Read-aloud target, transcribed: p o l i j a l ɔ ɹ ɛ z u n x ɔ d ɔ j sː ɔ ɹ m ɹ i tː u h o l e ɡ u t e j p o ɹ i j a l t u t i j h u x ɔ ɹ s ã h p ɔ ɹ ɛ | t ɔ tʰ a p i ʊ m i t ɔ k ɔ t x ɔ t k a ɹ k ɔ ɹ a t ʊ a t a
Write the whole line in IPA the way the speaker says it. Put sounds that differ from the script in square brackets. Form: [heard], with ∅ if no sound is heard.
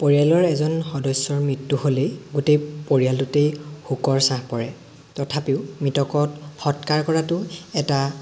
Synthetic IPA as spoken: p o [ɹ] i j a l ɔ ɹ ɛ z [ɔ] n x ɔ d ɔ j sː ɔ ɹ m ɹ i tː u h o l e ɡ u t e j p o ɹ i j a l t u t [e] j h u [k] ɔ ɹ s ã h p ɔ ɹ ɛ | t ɔ tʰ a p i ʊ m i t ɔ k ɔ t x ɔ t k a ɹ k ɔ ɹ a t ʊ [ɛ] t a

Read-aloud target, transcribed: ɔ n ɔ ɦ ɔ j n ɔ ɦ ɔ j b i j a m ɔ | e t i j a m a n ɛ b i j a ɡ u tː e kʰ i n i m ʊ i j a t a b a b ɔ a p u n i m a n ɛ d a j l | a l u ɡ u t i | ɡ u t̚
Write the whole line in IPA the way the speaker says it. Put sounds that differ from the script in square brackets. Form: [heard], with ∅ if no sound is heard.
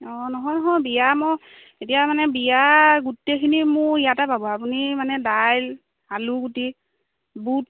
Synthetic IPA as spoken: ɔ n ɔ ɦ ɔ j n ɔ ɦ ɔ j b i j a m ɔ | e t i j a m a n ɛ b i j a ɡ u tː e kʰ i n i m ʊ i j a t a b a b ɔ a p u n i m a n ɛ d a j l | a l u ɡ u t i | [b] u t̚

